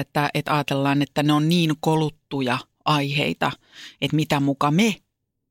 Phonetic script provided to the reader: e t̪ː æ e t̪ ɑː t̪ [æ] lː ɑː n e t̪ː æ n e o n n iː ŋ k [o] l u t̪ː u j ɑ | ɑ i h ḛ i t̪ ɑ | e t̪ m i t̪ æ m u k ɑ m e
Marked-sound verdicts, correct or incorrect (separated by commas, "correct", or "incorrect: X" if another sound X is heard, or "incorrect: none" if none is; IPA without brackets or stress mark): incorrect: e, correct